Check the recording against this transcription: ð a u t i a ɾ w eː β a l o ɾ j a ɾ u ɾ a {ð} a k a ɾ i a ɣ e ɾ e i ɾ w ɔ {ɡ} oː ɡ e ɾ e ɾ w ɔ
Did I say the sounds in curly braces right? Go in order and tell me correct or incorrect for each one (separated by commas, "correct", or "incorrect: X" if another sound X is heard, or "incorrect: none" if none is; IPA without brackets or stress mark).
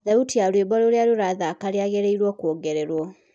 correct, incorrect: k